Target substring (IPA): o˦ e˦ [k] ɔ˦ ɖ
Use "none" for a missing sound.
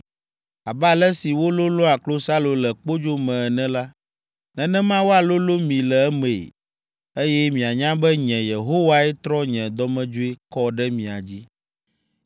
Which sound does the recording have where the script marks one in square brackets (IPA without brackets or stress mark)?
k